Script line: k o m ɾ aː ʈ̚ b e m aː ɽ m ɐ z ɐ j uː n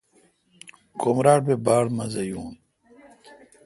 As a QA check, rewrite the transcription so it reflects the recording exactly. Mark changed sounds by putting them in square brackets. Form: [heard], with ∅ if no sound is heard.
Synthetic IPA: k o m ɾ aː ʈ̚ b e [b] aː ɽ m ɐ z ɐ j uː n